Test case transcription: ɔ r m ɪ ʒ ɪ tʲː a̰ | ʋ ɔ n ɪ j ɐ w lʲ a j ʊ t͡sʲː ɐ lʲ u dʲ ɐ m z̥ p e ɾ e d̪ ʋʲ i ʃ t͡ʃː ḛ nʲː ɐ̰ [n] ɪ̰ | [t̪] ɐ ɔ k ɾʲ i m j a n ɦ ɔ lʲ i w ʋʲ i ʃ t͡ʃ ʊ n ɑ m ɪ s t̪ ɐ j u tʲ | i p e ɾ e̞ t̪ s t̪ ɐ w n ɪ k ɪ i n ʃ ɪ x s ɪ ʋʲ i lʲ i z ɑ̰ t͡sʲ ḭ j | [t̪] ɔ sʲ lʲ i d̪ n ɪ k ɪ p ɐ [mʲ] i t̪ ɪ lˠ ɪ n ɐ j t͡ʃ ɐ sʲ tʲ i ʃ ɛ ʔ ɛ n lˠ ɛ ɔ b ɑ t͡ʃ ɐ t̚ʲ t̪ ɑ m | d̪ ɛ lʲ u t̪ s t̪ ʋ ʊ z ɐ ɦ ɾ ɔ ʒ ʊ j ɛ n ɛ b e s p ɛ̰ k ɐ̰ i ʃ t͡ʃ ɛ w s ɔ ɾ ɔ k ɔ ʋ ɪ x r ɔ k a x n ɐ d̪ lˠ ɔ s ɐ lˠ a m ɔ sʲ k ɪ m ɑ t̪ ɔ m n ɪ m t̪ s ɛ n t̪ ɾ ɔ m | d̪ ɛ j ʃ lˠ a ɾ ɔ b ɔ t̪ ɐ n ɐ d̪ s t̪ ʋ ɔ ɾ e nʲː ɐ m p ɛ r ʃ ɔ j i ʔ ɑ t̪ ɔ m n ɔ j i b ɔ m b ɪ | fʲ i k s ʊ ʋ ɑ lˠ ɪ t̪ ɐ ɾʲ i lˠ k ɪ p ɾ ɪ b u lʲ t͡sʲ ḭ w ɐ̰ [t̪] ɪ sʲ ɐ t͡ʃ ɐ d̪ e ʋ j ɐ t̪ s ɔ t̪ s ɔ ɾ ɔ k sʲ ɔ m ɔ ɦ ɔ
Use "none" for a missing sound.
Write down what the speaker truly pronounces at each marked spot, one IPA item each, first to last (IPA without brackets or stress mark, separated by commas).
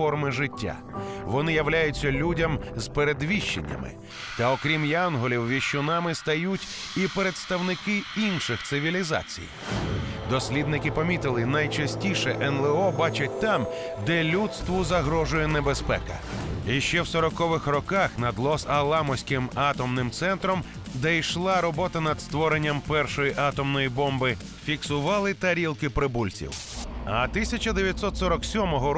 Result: m, t̪, d̪, mʲ, t̪